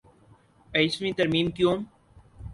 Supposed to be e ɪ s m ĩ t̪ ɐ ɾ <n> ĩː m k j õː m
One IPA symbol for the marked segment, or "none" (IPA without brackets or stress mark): m